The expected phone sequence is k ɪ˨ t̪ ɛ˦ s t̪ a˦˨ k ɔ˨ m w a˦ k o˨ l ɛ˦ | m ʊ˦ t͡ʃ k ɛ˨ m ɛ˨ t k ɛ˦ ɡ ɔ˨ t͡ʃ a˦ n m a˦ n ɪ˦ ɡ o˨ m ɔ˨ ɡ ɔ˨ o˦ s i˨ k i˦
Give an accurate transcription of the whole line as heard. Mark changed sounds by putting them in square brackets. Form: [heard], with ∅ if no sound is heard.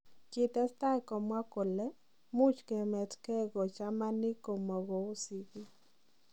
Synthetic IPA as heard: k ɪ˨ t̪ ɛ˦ s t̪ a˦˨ k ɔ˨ m w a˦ k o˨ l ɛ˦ | m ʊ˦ t͡ʃ k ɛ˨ m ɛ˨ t k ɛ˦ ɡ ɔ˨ t͡ʃ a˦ [∅] m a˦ n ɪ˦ [k] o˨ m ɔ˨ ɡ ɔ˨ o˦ s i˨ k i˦